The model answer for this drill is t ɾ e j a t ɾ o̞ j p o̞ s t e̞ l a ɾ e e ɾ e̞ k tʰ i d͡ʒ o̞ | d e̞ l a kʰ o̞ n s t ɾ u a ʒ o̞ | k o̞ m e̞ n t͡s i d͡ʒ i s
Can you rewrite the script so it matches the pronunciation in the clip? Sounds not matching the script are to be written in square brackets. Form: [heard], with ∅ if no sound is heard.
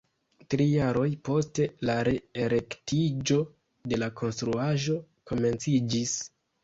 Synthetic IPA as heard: t ɾ [i] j a [∅] ɾ o̞ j p o̞ s t e̞ l a ɾ e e ɾ e̞ k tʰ i d͡ʒ o̞ | d e̞ l a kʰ o̞ n s t ɾ u a ʒ o̞ | k o̞ m e̞ n t͡s i d͡ʒ i s